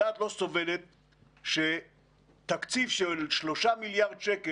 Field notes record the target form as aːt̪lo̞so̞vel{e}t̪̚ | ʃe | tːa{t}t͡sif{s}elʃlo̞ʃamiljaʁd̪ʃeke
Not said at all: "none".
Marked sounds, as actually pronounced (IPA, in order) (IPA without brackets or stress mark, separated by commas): e, k, ʃ